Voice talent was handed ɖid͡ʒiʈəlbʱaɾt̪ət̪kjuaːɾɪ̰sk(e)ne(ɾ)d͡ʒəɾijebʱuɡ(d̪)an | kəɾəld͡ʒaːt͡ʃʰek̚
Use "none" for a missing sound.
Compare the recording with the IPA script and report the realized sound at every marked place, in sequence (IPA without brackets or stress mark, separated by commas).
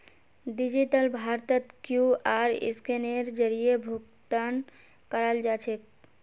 e, ɾ, t̪